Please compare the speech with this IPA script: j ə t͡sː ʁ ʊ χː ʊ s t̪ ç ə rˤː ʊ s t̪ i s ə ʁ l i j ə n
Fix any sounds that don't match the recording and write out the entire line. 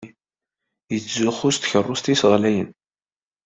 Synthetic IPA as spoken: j ə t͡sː z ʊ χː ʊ s t̪ ç ə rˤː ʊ s t̪ i s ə ʁ l æ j ə n